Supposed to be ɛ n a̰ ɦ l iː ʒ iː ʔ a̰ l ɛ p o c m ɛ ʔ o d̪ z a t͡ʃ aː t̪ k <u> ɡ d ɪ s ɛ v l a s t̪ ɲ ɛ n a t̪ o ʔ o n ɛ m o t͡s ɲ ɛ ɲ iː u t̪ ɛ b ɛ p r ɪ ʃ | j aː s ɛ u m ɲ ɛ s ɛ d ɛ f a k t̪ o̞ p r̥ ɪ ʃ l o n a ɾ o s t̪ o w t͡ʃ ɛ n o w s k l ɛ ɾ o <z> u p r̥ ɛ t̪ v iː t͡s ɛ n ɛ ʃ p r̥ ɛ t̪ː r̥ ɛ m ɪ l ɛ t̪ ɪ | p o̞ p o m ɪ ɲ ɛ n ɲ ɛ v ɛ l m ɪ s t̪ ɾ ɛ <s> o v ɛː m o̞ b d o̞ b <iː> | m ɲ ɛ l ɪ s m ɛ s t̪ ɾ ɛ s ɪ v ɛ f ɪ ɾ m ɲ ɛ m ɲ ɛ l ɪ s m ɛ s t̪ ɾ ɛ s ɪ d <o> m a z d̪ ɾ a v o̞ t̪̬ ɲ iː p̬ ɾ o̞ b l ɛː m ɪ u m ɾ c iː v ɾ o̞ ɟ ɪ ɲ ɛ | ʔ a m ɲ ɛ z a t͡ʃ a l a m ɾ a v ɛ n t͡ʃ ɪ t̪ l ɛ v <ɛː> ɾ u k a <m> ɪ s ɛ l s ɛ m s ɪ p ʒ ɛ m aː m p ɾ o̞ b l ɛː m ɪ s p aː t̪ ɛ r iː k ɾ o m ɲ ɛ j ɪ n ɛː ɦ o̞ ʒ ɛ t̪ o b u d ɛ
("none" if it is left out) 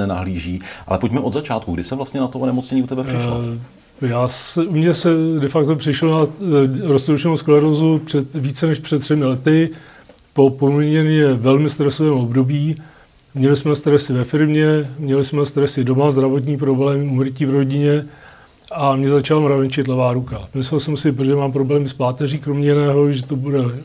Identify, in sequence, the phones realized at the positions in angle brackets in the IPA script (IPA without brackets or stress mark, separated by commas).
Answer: u, z, s, iː, o, aː, m